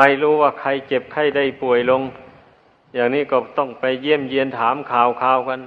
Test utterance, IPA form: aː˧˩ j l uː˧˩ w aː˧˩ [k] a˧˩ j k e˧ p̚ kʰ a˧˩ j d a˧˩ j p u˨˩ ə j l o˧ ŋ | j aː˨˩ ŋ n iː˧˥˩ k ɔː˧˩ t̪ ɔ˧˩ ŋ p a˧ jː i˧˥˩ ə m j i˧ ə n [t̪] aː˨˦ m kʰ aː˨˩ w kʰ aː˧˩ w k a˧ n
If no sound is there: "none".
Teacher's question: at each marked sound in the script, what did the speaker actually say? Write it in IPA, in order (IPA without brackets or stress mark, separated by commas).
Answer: kʰ, t̪ʰ